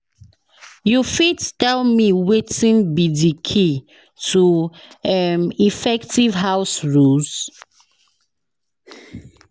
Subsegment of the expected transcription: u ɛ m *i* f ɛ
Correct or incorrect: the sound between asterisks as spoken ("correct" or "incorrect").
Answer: correct